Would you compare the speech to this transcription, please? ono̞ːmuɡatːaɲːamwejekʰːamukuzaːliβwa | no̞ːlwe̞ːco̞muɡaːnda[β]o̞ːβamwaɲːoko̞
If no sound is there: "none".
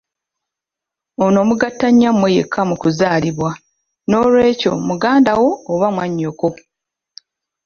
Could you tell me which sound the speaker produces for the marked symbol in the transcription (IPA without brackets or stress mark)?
w